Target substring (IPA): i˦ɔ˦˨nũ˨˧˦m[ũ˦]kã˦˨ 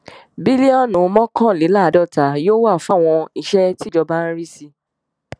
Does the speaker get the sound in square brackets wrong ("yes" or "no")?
yes